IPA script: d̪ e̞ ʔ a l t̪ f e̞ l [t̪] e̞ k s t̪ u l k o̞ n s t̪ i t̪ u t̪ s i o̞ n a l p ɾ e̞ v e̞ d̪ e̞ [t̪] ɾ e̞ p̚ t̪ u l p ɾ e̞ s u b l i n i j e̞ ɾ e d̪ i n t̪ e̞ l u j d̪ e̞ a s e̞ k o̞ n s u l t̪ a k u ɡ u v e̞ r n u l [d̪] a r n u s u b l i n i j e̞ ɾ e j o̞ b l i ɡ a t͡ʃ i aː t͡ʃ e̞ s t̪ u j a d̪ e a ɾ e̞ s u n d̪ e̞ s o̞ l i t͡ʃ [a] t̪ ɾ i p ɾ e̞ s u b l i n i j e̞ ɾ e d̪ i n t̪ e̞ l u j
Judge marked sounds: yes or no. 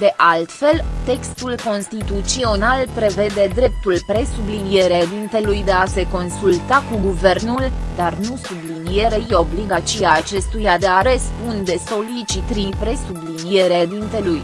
yes, no, yes, no

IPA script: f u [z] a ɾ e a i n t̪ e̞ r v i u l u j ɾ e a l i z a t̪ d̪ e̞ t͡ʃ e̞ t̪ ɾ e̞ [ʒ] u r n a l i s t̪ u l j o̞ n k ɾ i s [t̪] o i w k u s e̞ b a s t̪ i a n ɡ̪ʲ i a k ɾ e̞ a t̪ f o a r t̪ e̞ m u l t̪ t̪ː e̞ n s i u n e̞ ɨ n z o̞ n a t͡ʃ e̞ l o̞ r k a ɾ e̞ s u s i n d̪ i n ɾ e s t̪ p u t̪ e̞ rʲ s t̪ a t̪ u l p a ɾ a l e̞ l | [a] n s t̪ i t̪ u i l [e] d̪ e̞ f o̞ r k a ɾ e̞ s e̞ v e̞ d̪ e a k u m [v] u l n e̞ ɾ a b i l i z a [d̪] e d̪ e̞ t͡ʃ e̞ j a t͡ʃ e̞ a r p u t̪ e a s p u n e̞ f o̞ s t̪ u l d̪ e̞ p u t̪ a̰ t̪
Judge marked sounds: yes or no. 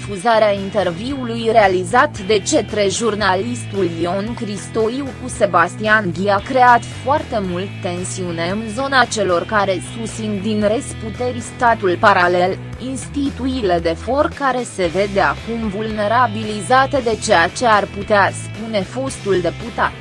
yes, yes, yes, no, yes, yes, no

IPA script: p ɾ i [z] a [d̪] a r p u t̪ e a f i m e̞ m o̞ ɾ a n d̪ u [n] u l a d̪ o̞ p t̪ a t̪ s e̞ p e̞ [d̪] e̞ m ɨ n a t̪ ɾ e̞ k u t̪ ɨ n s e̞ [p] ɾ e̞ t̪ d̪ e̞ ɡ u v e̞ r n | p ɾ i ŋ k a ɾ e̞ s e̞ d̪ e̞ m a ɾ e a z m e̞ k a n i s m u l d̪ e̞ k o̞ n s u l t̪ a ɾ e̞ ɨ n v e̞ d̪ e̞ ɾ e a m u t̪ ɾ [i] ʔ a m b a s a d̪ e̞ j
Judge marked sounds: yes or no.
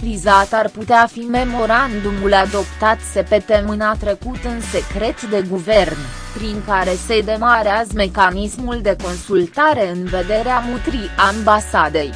yes, no, no, no, no, yes

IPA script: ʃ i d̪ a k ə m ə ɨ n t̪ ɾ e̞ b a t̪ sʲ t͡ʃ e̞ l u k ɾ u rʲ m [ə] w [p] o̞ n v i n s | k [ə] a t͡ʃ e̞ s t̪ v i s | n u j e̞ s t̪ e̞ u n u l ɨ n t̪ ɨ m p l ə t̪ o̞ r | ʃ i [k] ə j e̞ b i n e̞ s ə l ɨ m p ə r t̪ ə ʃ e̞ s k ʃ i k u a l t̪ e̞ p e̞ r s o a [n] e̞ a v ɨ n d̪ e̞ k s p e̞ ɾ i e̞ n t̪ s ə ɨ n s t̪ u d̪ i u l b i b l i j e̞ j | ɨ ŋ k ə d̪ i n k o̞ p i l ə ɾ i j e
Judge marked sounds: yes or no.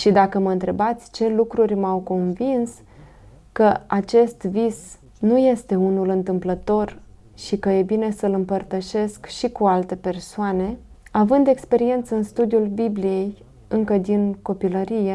no, no, yes, yes, yes

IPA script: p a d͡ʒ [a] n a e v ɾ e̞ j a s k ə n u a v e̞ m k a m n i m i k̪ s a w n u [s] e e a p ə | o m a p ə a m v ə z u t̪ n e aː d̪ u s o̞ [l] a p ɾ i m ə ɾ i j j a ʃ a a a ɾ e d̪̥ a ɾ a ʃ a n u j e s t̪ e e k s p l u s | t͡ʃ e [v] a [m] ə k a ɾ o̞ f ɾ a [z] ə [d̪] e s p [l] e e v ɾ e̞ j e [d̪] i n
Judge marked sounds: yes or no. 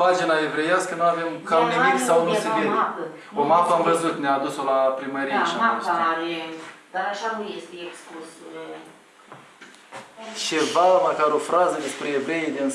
no, yes, yes, yes, yes, yes, yes, no, yes

